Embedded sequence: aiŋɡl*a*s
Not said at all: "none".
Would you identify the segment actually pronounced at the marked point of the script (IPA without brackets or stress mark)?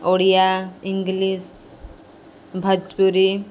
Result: i